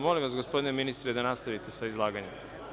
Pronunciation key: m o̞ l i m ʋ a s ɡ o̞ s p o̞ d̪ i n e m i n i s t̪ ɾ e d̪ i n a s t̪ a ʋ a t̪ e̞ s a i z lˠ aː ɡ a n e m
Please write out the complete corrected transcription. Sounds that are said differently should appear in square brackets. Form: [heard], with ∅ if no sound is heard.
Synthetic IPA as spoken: m o̞ l i m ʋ a s ɡ o̞ s p o̞ d̪ i n e m i n i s t̪ ɾ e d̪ [a] n a s t̪ a ʋ [i] t̪ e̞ s a i z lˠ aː ɡ a [ɲ] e m

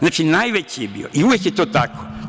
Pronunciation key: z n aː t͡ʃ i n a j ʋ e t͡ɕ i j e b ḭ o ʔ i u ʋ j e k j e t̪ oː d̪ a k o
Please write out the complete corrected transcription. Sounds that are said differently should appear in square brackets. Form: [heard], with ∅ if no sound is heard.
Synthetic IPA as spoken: z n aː t͡ʃ i n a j ʋ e t͡ɕ i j e b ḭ o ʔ i u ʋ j e k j e t̪ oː [t̪] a k o

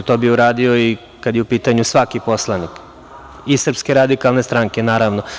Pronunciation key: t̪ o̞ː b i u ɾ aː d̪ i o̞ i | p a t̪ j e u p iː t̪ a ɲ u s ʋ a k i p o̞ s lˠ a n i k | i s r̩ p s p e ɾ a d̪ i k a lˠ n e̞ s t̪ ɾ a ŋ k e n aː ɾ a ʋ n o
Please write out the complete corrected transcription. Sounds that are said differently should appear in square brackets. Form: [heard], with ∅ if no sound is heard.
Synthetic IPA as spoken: t̪ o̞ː b i u ɾ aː d̪ i o̞ i | [k] a [d̪] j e u p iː t̪ a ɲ u s ʋ a k i p o̞ s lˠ a n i k | i s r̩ p s [k] e ɾ a d̪ i k a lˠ n e̞ s t̪ ɾ a ŋ k e n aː ɾ a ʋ n o

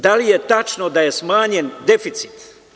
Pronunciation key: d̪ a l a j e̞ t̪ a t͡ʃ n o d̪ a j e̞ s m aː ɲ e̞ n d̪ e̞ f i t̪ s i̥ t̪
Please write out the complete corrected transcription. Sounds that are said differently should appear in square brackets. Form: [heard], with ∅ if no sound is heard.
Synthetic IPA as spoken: d̪ a l [i] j e̞ t̪ a t͡ʃ n o d̪ a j e̞ s m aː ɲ e̞ n d̪ e̞ f i t̪ s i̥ t̪

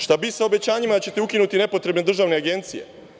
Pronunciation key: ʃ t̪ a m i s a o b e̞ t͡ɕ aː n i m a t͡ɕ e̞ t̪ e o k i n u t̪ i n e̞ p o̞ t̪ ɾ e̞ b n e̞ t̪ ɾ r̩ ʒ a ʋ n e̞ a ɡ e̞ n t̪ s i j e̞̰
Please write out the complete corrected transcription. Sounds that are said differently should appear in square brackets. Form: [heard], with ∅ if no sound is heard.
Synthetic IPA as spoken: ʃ t̪ a [b] i s a o b e̞ t͡ɕ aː [ɲ] i m a t͡ɕ e̞ t̪ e [u] k i n u t̪ i n e̞ p o̞ t̪ ɾ e̞ b n e̞ [d̪] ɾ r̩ ʒ a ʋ n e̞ a ɡ e̞ n t̪ s i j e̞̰

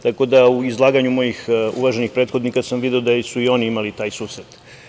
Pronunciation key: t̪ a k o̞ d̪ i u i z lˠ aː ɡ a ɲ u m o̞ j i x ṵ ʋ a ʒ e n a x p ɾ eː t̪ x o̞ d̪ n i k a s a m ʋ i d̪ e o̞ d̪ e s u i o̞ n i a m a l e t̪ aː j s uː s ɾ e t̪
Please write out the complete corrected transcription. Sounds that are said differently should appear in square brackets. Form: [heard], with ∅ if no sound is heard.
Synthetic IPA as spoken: t̪ a k o̞ d̪ [a] u i z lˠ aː ɡ a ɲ u m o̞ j i x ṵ ʋ a ʒ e n [i] x p ɾ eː t̪ x o̞ d̪ n i k a s a m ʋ i d̪ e o̞ d̪ [a] s u i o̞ n i [i] m a l [i] t̪ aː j s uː s ɾ e t̪

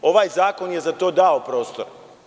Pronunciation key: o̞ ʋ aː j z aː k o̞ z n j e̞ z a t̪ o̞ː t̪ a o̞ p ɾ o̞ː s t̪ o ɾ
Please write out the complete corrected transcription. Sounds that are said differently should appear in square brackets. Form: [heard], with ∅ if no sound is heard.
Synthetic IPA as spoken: o̞ ʋ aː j z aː k o̞ [∅] n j e̞ z a t̪ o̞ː [d̪] a o̞ p ɾ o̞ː s t̪ o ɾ

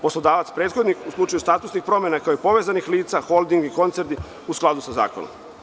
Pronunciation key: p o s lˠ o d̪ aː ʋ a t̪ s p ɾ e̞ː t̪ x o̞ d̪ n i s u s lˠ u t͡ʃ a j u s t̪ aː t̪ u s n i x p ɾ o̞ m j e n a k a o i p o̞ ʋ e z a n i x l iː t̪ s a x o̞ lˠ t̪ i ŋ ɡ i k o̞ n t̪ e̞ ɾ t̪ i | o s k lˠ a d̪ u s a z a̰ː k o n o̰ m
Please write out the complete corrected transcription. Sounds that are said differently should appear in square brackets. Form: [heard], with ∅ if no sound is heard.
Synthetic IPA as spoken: p o s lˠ o d̪ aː ʋ a t̪ s p ɾ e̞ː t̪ x o̞ d̪ n i [x] u s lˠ u t͡ʃ a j u s t̪ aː t̪ u s n i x p ɾ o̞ m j e n a k a o i p o̞ ʋ e z a n i x l iː t̪ s a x o̞ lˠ [d̪] i ŋ ɡ i k o̞ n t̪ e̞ ɾ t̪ i | [u] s k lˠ a d̪ u s a z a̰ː k o n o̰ m

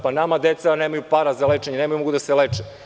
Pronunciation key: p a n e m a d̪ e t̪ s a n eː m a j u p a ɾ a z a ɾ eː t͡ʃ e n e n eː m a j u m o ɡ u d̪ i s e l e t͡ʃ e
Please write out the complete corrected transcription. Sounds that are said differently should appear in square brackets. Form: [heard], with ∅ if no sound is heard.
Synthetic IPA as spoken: p a n [a] m a d̪ e t̪ s a n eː m a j u p a ɾ a z a [l] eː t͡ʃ e [ɲ] e n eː m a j u m o ɡ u d̪ [a] s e l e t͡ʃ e

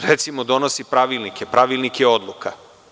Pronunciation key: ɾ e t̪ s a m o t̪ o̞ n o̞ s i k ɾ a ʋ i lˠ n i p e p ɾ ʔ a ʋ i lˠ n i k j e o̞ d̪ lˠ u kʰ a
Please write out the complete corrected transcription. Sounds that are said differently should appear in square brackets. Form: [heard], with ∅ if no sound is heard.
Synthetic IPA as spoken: ɾ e t̪ s [i] m o [d̪] o̞ n o̞ s i [p] ɾ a ʋ i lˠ n i [k] e p ɾ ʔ a ʋ i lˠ n i k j e o̞ d̪ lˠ u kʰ a

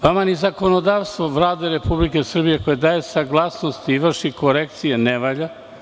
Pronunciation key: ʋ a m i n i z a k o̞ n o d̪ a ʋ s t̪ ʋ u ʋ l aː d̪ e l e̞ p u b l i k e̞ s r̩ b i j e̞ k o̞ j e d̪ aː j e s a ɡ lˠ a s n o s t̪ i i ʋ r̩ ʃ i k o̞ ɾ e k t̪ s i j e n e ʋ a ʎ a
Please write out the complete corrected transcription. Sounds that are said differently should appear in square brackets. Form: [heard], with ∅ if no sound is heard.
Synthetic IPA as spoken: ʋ a m [a] n i z a k o̞ n o d̪ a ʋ s t̪ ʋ [o] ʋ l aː d̪ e [ɾ] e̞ p u b l i k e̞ s r̩ b i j e̞ k o̞ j e d̪ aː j e s a ɡ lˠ a s n o s t̪ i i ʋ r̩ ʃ i k o̞ ɾ e k t̪ s i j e n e ʋ a ʎ a

